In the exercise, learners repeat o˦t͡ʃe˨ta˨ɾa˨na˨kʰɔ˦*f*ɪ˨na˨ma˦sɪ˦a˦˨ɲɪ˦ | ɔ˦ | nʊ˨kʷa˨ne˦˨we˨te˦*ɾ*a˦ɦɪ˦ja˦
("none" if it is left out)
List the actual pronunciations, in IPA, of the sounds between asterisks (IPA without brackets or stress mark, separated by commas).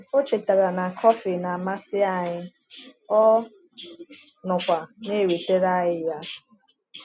f, ɾ